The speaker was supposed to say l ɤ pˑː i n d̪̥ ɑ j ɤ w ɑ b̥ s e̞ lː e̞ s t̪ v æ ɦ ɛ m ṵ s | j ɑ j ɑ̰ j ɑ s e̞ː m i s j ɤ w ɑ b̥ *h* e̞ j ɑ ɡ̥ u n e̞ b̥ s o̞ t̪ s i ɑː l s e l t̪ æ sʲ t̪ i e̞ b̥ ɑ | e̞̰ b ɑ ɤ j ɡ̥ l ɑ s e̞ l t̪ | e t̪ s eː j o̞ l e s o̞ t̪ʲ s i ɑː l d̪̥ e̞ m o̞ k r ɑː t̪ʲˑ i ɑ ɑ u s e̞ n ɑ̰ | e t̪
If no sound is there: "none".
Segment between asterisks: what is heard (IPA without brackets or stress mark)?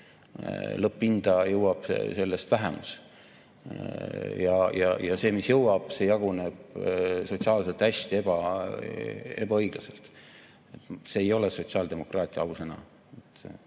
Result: s